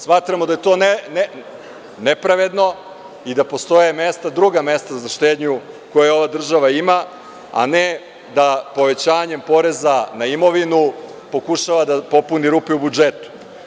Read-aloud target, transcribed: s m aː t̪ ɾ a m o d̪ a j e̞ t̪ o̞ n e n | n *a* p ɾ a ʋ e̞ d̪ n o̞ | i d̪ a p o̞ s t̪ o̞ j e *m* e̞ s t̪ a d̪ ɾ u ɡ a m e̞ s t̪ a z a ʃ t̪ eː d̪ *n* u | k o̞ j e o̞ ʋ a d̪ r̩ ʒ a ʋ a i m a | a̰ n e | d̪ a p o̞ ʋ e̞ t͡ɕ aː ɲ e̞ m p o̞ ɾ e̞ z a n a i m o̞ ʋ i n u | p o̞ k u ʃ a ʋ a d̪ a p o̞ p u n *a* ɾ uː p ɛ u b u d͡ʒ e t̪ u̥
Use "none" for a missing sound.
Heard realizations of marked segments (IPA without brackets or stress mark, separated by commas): e, m, ɲ, i